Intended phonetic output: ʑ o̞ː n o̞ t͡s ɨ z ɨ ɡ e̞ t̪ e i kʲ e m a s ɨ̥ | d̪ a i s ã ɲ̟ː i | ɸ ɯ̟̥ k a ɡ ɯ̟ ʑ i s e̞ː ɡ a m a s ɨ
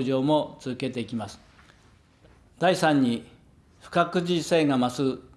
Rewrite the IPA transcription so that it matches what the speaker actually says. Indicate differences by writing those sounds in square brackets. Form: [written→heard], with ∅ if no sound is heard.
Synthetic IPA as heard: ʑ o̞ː [n→m] o̞ t͡s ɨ z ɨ [ɡ→k] e̞ t̪ e i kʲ [e→i] m a s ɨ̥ | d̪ a i s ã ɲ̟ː i | ɸ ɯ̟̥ k a [ɡ→k] ɯ̟ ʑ i s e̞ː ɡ a m a s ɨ